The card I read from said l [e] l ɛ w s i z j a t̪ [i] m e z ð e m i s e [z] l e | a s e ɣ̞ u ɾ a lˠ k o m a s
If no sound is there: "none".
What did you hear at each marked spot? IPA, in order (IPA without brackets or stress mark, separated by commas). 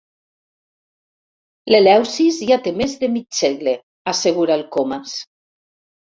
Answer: e, e, ɣ